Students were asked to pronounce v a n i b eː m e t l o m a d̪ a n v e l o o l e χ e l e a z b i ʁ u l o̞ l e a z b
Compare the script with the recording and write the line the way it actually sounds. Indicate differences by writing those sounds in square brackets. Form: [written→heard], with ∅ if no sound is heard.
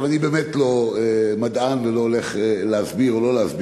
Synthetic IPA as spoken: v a n i b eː m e t l o m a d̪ a n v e l o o l e χ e l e a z b i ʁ [u→o] l o̞ l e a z b